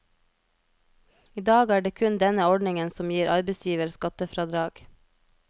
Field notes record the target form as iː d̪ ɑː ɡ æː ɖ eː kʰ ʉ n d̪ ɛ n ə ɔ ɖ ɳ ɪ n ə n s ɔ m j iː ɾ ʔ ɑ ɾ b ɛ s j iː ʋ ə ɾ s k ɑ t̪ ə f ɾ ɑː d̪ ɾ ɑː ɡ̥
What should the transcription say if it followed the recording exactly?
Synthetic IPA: iː d̪ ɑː ɡ æː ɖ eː kʰ ʉ n d̪ ɛ n ə ɔ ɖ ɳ ɪ ŋ ə n s ɔ m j iː ɾ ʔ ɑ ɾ b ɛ s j iː ʋ ə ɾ s k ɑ t̪ ə f ɾ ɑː d̪ ɾ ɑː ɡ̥